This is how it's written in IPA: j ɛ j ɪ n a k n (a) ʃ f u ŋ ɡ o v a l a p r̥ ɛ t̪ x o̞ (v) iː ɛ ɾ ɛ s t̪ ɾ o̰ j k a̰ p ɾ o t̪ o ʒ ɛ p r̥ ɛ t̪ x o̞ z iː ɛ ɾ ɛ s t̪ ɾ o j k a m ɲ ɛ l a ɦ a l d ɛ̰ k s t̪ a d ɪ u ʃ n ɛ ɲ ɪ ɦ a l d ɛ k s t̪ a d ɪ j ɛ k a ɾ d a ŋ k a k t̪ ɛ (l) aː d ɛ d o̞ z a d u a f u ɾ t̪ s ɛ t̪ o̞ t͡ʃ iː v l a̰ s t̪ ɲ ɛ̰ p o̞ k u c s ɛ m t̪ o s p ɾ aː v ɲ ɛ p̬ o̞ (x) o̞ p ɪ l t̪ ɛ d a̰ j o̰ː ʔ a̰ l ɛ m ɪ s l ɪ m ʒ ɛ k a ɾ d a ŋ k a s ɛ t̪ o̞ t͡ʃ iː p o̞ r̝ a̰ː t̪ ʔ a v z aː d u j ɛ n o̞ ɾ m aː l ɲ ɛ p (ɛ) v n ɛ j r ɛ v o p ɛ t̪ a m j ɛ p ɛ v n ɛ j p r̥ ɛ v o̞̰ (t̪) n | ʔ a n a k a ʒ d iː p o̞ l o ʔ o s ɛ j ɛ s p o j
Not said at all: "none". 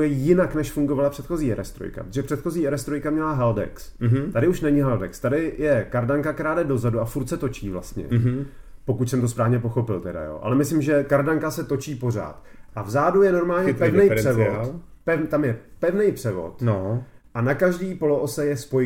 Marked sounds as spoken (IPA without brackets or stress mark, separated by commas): ɛ, z, ɾ, x, ɛ, t̪